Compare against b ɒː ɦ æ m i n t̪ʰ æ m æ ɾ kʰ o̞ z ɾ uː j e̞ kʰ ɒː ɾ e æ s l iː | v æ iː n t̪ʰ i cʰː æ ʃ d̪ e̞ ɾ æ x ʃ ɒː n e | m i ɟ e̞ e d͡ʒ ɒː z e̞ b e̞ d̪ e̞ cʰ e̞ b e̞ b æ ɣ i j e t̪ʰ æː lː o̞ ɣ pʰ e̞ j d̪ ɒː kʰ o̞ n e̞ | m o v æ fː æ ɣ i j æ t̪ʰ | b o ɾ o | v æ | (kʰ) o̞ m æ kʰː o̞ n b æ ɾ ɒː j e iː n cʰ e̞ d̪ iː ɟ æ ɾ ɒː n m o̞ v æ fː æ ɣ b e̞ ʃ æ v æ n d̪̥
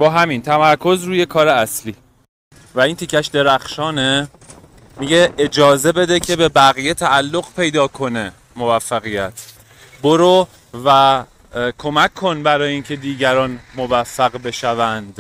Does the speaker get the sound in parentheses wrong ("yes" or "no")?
no